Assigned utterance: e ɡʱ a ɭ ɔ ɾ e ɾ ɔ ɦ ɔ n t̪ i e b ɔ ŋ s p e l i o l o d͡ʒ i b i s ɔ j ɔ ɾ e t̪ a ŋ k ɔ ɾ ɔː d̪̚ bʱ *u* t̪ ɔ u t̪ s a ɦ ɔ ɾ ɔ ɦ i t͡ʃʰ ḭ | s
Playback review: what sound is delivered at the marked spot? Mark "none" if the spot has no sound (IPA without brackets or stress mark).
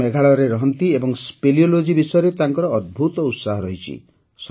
u